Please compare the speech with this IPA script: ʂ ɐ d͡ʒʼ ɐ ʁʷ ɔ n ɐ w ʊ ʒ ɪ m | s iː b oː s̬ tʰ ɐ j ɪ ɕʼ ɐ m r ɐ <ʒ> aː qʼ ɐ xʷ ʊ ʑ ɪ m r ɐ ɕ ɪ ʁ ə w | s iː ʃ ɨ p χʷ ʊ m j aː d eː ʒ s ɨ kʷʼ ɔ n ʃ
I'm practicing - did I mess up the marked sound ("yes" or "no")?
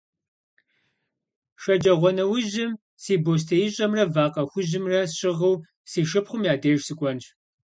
yes